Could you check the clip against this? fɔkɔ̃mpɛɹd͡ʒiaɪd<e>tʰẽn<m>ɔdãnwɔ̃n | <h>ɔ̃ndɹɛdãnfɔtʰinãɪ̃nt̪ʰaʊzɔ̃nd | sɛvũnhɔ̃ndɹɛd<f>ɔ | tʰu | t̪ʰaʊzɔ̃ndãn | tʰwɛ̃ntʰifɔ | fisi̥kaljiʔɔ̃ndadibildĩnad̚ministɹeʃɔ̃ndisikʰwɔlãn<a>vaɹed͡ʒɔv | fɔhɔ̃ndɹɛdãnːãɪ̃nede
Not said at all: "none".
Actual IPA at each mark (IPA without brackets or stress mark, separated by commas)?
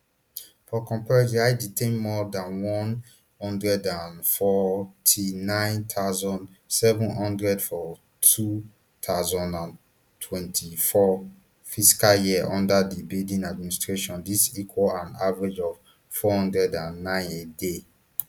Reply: i, m, h, f, a